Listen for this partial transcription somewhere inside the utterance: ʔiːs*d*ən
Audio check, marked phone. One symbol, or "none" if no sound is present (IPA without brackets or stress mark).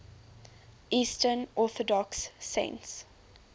t